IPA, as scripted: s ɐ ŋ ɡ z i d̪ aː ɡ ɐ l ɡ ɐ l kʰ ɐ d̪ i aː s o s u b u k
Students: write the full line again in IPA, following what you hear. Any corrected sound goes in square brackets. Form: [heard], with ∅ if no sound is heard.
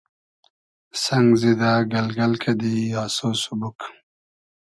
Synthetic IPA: s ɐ ŋ ɡ z i d̪ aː ɡ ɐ l ɡ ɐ l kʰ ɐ d̪ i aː s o s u b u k